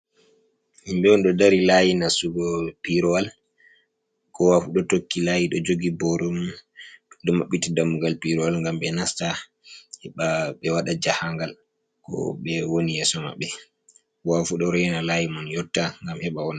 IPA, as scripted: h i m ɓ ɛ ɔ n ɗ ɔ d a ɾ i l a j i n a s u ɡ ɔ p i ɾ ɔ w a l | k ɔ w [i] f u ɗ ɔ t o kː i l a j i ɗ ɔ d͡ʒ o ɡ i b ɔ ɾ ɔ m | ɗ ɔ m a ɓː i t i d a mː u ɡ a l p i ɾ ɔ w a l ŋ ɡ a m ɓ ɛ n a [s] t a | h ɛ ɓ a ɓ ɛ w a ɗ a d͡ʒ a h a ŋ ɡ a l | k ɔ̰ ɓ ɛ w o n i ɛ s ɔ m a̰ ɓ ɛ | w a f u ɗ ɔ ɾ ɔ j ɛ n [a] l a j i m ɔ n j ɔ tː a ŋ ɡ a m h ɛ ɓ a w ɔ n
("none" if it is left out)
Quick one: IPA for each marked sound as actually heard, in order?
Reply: a, s, a

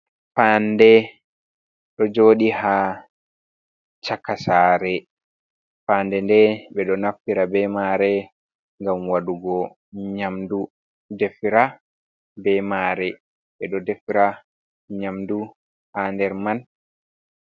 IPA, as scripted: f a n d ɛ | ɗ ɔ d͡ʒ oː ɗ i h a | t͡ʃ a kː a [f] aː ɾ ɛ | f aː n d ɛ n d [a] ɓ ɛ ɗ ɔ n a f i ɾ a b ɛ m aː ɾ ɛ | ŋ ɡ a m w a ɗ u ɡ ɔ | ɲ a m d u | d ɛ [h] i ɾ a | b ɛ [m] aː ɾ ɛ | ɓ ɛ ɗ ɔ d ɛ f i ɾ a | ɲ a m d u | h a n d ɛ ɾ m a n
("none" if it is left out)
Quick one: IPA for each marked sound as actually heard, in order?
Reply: s, ɛ, f, m

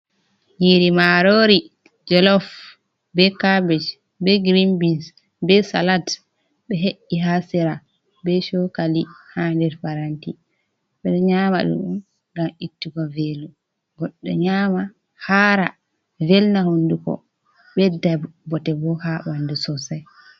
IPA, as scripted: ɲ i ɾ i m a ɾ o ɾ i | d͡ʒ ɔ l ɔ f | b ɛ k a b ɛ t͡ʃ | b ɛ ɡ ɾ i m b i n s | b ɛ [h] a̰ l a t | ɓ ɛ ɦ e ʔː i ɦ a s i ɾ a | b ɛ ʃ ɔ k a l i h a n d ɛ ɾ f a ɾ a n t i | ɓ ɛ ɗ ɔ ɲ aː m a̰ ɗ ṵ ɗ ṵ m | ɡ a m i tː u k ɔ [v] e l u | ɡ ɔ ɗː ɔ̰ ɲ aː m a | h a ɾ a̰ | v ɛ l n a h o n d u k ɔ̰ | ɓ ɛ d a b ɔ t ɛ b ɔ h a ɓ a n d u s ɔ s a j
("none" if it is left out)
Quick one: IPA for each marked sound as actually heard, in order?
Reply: s, v

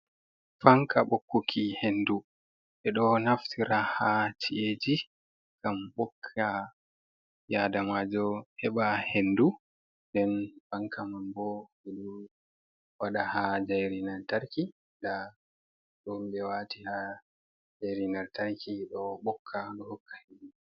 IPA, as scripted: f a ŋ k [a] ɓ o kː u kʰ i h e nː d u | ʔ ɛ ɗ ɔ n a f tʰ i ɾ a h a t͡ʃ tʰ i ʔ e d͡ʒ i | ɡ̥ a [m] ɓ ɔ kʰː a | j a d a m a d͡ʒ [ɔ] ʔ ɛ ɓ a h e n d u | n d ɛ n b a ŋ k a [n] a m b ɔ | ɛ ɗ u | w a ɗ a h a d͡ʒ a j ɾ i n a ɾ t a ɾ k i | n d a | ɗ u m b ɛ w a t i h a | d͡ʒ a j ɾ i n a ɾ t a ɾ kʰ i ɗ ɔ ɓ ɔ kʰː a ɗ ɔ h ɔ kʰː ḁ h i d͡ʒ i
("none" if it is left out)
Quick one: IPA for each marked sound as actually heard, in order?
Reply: a, m, ɔ, m

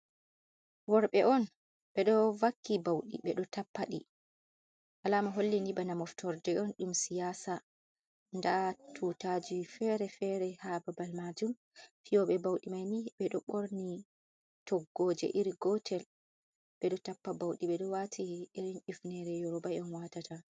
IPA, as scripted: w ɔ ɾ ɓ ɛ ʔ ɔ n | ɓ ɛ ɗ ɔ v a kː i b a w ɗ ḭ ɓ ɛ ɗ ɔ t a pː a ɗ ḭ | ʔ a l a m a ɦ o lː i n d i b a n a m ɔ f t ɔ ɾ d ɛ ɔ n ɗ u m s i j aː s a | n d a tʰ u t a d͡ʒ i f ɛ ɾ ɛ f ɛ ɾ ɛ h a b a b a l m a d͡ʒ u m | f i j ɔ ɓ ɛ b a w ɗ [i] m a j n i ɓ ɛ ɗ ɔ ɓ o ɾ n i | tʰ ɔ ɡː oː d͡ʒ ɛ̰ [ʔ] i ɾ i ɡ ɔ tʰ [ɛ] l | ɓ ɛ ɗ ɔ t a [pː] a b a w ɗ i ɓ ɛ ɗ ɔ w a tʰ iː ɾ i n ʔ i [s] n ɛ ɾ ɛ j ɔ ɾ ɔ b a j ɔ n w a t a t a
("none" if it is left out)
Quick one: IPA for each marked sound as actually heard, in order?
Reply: i, ʔ, ɛ, pː, f

